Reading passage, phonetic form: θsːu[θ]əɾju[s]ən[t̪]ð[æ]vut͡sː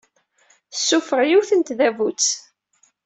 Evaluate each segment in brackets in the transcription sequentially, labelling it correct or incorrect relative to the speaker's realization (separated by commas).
incorrect, incorrect, correct, correct